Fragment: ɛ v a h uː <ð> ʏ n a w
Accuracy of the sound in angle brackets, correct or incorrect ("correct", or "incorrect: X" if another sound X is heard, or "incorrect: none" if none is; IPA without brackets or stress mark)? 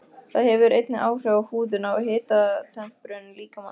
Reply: correct